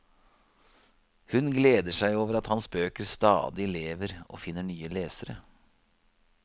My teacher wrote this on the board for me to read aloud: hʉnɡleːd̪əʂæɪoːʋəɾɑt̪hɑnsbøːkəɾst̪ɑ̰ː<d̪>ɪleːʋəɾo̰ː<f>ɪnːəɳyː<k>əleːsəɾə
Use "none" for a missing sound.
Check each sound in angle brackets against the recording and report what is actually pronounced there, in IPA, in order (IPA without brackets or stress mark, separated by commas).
d̪, f, none